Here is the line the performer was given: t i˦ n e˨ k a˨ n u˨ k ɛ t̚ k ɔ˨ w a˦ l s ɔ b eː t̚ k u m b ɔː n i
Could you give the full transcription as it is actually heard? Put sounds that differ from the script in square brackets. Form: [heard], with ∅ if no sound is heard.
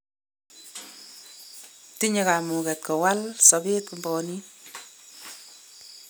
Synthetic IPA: t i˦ [ɲ] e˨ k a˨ [m] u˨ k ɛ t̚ k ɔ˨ w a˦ l s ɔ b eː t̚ k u m b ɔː n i